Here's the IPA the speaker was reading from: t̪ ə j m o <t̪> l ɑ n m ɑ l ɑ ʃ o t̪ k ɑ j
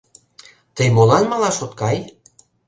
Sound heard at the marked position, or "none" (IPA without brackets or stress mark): none